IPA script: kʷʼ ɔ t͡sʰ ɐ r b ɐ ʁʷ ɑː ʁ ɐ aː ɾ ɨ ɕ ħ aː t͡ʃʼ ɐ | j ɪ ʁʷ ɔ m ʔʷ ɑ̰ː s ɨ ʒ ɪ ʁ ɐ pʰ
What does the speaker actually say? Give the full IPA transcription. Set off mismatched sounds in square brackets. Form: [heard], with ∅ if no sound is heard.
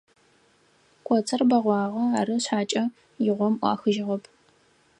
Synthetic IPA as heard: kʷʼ ɔ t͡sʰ ɐ r b ɐ ʁʷ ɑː ʁ ɐ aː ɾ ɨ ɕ ħ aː t͡ʃʼ ɐ | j ɪ ʁʷ ɔ m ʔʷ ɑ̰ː [x] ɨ ʒ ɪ ʁ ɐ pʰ

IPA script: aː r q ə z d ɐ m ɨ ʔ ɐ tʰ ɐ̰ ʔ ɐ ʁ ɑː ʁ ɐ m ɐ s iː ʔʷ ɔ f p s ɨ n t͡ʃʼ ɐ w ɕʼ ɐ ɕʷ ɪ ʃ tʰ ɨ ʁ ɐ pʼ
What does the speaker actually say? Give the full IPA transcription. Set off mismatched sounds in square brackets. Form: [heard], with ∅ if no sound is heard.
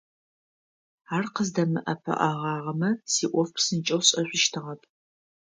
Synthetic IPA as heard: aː r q ə z d ɐ m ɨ ʔ ɐ [pʰ] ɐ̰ ʔ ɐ ʁ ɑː ʁ ɐ m ɐ s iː ʔʷ ɔ f p s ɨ n t͡ʃʼ ɐ w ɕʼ ɐ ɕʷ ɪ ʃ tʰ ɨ ʁ ɐ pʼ

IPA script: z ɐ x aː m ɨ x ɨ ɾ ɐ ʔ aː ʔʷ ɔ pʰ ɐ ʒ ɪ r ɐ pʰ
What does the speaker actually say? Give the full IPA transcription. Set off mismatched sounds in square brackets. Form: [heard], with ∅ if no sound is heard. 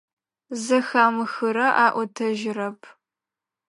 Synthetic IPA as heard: z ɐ x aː m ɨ x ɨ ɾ ɐ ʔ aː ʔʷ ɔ [tʰ] ɐ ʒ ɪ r ɐ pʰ

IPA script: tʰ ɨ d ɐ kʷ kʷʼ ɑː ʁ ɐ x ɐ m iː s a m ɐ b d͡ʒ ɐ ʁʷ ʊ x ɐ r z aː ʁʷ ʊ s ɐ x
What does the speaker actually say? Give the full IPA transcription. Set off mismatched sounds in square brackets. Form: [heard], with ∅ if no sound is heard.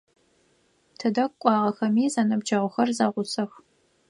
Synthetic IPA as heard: tʰ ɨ d ɐ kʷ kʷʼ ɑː ʁ ɐ x ɐ m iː [z] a [n] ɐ b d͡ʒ ɐ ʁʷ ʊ x ɐ r z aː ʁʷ ʊ s ɐ x

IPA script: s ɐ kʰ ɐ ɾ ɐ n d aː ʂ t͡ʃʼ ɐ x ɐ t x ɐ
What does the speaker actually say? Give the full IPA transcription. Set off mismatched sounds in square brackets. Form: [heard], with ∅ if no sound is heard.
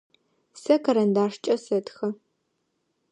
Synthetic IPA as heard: s ɐ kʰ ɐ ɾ ɐ n d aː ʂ t͡ʃʼ ɐ [s] ɐ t x ɐ

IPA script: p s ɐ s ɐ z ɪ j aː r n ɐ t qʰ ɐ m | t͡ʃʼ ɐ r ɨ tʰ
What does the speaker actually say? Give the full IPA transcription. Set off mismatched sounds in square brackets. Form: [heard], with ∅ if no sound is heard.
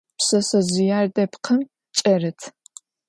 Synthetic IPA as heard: p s ɐ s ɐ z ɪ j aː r [d] ɐ [p] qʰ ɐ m | t͡ʃʼ ɐ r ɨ tʰ

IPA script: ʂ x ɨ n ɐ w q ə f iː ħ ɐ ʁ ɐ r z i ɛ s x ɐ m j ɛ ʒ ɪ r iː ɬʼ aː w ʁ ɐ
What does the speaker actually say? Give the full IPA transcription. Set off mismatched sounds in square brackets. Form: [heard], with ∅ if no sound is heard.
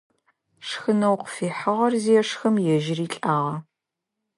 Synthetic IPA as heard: ʂ x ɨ n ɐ w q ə f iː ħ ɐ ʁ ɐ r z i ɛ [ʂ] x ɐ m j ɛ ʒ ɪ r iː ɬʼ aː [∅] ʁ ɐ

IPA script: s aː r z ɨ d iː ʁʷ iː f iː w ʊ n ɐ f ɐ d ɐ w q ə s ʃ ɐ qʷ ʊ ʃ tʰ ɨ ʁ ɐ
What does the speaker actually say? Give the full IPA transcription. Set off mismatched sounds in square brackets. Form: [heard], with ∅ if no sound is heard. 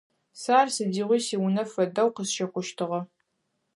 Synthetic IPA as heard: s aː r [s] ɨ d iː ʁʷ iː [s] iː w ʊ n ɐ f ɐ d ɐ w q ə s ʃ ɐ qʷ ʊ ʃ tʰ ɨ ʁ ɐ

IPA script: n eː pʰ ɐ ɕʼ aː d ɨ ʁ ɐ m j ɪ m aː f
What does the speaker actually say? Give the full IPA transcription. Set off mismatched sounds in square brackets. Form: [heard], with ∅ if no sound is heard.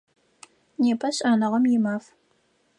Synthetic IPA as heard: n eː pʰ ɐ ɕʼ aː [n] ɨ ʁ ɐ m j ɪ m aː f

